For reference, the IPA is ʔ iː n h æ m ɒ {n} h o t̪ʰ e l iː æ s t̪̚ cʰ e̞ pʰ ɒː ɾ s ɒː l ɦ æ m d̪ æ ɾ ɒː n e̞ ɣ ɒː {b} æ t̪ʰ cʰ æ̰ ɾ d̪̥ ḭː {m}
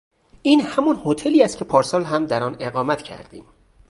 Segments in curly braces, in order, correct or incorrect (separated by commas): correct, incorrect, correct